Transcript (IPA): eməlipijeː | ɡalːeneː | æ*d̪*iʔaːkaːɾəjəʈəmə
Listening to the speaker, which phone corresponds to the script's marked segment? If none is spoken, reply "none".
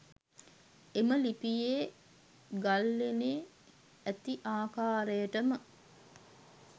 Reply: t̪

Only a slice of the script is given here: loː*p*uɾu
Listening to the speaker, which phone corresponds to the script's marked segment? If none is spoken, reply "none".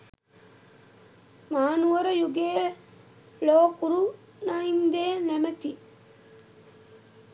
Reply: k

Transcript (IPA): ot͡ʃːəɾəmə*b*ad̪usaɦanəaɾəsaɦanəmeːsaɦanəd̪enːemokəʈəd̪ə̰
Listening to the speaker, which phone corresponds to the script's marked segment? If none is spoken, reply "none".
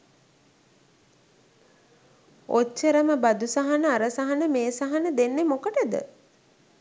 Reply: b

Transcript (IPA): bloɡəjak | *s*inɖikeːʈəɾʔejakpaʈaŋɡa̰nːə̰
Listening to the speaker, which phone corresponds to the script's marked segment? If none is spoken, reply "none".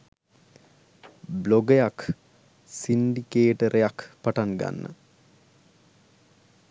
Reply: s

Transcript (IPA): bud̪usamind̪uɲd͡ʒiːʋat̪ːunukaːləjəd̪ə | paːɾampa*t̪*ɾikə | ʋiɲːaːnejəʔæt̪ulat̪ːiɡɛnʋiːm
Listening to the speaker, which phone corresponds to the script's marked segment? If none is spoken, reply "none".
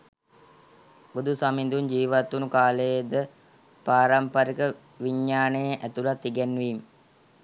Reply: none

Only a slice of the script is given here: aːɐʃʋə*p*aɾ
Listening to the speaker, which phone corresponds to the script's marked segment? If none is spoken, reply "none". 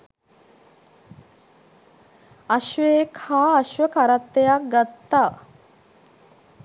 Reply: k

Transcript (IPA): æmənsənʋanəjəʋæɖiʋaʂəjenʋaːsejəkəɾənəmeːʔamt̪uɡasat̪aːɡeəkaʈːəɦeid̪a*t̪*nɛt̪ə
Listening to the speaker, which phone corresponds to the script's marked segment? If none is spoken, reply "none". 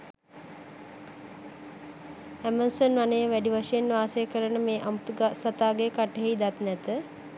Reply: t̪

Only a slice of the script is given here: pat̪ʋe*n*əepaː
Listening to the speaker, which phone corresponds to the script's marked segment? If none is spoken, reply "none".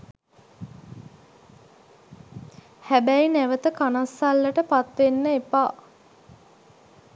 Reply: nː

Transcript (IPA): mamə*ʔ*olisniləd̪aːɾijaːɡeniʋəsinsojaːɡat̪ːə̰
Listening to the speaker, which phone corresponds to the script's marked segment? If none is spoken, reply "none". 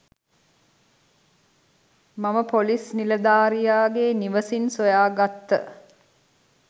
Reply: p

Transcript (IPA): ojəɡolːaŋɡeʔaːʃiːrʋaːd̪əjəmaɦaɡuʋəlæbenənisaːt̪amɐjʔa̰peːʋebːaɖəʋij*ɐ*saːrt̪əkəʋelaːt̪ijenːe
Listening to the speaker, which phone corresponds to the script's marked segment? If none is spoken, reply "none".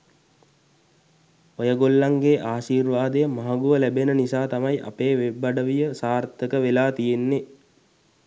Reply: ə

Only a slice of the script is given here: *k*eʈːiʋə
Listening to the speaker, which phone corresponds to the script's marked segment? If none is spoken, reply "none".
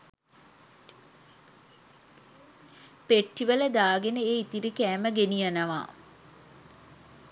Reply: p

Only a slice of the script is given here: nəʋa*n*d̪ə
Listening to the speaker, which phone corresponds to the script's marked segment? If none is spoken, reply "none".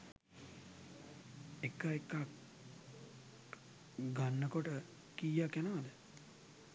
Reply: none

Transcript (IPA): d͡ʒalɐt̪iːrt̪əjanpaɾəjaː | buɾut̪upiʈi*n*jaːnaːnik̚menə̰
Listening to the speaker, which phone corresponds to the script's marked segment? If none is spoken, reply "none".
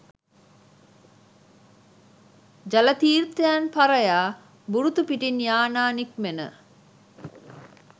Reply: n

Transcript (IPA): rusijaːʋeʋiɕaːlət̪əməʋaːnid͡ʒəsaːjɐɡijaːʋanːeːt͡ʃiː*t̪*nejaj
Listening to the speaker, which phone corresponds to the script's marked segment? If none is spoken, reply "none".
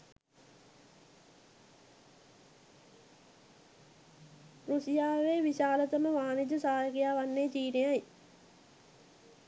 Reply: none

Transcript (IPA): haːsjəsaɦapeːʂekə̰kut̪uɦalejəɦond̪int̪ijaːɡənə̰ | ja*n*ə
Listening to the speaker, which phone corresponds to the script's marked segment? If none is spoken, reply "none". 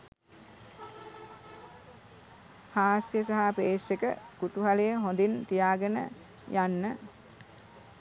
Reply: nː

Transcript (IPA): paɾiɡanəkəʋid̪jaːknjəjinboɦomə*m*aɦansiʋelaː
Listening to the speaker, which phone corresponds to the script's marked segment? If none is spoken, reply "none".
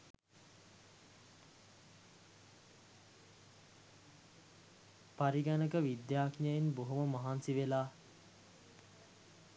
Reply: m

